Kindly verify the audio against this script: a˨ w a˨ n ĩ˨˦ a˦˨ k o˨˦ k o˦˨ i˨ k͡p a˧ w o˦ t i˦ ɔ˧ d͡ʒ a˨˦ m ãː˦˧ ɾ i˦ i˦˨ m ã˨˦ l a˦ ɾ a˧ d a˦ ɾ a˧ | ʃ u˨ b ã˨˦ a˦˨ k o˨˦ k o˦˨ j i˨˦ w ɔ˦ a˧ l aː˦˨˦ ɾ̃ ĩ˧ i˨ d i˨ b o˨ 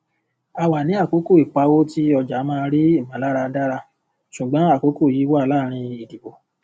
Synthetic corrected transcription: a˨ w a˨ n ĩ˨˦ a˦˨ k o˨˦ k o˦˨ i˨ k͡p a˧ w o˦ t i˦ ɔ˧ d͡ʒ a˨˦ m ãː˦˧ ɾ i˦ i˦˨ m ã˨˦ l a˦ ɾ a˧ d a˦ ɾ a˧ | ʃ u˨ ɡ͡b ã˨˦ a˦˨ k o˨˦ k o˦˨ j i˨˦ w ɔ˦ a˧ l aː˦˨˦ ɾ̃ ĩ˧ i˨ d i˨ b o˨